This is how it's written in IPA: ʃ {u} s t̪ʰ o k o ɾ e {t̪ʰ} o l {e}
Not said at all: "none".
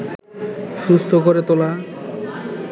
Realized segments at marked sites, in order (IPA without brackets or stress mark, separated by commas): u, t̪, a